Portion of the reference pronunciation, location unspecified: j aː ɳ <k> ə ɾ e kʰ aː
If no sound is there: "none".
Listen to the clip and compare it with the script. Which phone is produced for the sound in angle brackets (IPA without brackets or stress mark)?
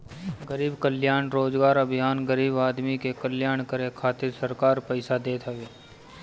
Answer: k